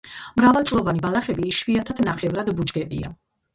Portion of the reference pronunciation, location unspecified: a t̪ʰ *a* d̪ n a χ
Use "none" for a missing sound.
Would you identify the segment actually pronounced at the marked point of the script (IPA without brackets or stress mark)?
a